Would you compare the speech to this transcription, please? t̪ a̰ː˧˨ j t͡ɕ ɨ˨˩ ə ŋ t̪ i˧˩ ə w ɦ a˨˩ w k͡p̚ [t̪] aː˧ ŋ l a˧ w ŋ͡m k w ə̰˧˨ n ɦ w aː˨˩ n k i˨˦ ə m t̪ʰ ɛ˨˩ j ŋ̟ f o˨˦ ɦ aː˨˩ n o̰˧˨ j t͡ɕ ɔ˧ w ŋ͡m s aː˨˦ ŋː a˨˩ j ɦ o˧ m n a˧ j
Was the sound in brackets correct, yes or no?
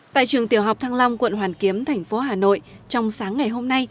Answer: no